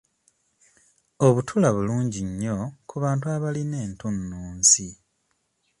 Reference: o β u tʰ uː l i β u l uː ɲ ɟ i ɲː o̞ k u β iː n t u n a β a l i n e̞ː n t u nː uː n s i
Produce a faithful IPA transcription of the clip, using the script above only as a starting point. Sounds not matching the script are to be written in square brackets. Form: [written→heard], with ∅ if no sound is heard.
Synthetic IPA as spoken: o β u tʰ [uː→u] l [i→a] β u l uː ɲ ɟ i ɲː o̞ k u β [iː→aː] n t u [n→∅] a β a l i n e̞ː n t u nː uː n s i

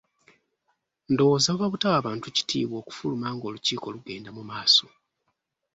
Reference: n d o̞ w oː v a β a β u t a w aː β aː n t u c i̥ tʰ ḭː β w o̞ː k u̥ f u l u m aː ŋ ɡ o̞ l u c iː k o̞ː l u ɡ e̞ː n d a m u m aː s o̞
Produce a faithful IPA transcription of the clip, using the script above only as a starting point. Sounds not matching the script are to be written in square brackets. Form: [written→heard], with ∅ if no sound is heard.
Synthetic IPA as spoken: n d o̞ w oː [v→z] a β a β u t a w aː β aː n t u c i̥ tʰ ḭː β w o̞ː k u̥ f u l u m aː ŋ ɡ o̞ l u c iː k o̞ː l u ɡ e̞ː n d a m u m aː s o̞

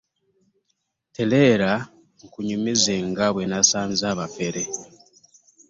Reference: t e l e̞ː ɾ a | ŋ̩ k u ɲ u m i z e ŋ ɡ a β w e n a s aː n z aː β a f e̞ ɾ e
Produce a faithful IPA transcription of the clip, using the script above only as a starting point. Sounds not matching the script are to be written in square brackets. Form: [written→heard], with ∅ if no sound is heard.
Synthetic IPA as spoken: t e l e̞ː ɾ a | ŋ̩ k u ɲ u m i z e ŋ ɡ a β w e n a s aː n z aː β a f e̞ ɾ e

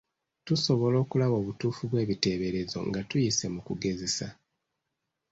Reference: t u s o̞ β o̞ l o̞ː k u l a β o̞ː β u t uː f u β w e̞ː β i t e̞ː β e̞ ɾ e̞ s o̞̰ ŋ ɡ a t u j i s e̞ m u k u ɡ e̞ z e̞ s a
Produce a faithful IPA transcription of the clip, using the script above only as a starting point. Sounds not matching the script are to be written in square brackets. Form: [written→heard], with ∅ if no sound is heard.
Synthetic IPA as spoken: t u s o̞ β o̞ l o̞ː k u l a β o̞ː β u t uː f u β w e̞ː β i t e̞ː β e̞ ɾ e̞ [s→z] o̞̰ ŋ ɡ a t u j i s e̞ m u k u ɡ e̞ z e̞ s a

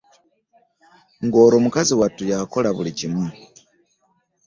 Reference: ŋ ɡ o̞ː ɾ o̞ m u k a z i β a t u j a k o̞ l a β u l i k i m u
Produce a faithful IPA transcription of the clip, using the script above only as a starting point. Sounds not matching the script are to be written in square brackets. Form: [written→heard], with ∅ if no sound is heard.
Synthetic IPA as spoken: ŋ ɡ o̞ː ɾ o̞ m u k a z i [β→w] a t u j a k o̞ l a β u l i [k→c] i m u

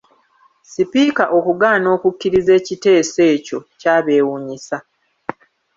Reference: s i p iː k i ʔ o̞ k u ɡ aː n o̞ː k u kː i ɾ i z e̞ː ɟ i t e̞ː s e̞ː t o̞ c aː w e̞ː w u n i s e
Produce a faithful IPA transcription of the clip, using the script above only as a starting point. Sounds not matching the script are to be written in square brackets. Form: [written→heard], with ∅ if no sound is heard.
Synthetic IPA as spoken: s i p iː k [i→a] ʔ o̞ k u ɡ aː n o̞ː k u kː i ɾ i z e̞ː [ɟ→c] i t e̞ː s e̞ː [t→c] o̞ c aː [w→β] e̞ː w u [n→ɲ] i s [e→a]

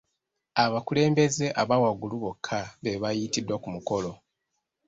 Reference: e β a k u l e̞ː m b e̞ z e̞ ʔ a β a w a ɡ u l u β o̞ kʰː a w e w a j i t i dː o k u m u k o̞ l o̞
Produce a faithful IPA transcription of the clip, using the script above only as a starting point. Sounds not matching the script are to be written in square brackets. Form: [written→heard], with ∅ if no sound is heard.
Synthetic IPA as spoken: [e→a] β a k u l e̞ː m b e̞ z e̞ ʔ a β a w a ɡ u l u β o̞ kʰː a [w→β] e [w→β] a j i t i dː o k u m u k o̞ l o̞

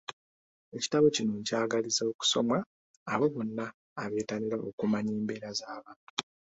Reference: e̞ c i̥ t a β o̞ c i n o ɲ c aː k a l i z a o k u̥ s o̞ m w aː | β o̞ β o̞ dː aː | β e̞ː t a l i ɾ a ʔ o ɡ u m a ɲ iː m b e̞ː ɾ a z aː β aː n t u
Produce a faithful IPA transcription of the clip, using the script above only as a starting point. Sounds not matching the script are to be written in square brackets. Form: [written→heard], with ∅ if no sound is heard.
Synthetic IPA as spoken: e̞ c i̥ t a β o̞ c i n o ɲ c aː [k→ɡ] a l i z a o k u̥ s o̞ m w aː | β o̞ β o̞ [dː→nː] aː | β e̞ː t a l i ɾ a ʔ o [ɡ→k] u m a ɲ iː m b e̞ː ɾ a z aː β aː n t u

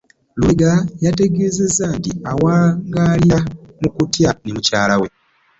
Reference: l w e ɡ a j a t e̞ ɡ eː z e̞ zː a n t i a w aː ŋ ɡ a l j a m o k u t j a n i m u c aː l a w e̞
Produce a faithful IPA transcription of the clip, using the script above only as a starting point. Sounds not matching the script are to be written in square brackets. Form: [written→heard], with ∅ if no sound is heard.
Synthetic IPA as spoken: l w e ɡ a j a t e̞ ɡ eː z e̞ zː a n t i a w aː ŋ ɡ a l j a m [o→u] k u t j a n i m u c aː l a w e̞

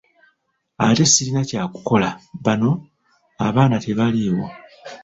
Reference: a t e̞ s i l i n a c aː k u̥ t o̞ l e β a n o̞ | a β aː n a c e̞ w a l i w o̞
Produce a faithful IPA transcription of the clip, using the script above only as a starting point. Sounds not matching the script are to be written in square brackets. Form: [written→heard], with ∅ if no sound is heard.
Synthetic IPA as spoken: a t e̞ s i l i n a c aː k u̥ [t→k] o̞ l [e→a] β a n o̞ | a β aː n a [c→t] e̞ [w→β] a l i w o̞

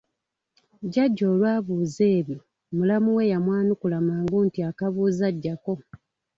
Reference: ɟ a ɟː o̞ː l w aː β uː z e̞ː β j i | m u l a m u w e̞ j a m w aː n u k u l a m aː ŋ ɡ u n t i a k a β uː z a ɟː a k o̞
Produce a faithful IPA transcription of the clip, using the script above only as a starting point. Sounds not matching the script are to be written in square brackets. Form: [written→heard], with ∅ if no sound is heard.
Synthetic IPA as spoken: ɟ a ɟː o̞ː l w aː β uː z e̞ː β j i | m u l a m u w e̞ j a m w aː n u k u l a m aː ŋ ɡ u n t i a k a β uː z a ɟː a k o̞

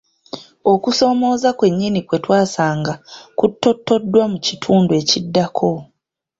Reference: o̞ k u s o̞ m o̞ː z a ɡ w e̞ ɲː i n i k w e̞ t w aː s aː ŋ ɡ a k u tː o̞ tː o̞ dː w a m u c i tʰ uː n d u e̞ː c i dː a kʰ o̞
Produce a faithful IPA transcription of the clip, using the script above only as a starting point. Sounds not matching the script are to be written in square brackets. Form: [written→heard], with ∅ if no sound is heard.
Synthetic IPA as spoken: o̞ k u s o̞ m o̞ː z a [ɡ→k] w e̞ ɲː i n i k w e̞ t w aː s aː ŋ ɡ a k u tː o̞ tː o̞ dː w a m u c i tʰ uː n d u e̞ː c i dː a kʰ o̞

